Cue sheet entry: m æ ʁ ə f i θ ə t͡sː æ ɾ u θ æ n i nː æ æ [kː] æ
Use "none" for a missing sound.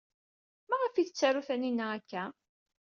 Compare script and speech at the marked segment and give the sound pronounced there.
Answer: kː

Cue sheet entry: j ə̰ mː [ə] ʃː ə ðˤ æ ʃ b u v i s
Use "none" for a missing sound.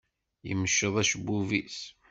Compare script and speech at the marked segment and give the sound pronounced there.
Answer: ə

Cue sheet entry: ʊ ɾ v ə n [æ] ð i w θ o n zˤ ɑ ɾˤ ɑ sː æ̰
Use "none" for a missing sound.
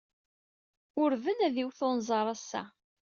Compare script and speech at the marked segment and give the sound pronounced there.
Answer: æ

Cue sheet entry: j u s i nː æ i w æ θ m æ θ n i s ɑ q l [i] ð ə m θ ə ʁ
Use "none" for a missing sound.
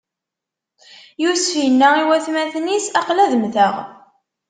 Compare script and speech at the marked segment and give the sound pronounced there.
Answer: æ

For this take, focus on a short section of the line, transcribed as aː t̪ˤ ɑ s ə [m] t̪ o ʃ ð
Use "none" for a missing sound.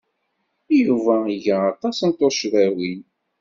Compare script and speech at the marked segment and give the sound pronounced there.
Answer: n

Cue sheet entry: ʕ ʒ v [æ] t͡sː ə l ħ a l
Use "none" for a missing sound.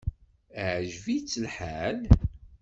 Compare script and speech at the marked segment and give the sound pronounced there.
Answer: i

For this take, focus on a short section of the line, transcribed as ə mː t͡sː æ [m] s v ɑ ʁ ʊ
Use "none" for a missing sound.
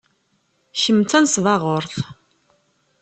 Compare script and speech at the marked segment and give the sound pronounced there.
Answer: n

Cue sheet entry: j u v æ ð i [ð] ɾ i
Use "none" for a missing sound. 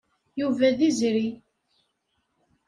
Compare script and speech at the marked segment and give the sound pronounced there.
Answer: z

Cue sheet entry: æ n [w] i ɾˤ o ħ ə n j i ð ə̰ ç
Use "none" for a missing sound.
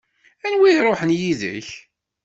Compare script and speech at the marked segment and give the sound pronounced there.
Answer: w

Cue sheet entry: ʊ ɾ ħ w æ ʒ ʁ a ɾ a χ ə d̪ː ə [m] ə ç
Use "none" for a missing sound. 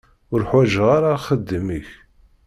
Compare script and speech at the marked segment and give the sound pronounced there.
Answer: m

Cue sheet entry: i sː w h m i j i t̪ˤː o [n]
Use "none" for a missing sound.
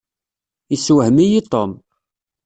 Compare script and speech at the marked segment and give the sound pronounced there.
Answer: m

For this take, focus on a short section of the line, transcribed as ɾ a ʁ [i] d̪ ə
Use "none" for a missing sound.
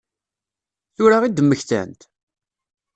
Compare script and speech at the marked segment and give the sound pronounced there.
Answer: i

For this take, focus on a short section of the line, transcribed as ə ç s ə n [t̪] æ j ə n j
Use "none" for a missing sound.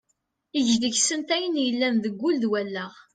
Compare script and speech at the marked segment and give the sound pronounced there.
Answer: t̪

